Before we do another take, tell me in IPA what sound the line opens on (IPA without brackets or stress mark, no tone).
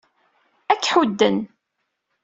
æ